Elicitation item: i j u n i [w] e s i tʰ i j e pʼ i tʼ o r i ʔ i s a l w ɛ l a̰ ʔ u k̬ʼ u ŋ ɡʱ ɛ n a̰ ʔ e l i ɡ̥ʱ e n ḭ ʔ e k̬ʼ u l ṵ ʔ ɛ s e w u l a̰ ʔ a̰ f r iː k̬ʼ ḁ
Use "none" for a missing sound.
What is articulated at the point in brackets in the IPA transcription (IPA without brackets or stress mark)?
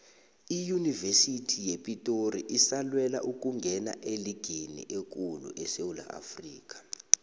v